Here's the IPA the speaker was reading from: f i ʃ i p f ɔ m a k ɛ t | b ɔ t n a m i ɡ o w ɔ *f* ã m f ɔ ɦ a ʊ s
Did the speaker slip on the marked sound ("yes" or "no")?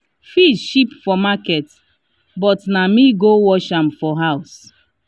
yes